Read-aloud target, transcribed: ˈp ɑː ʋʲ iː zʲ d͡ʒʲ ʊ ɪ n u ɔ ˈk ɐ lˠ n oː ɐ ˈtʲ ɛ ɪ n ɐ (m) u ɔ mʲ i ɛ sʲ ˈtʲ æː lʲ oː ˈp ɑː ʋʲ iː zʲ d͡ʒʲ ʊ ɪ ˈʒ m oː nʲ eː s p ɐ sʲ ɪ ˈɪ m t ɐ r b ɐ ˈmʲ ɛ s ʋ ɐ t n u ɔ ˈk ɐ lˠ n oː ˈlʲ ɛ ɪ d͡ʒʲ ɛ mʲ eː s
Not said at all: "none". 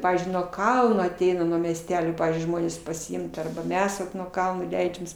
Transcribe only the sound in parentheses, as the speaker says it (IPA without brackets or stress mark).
n